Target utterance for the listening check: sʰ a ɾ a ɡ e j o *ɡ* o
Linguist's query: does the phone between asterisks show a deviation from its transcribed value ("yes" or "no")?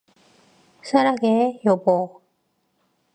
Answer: yes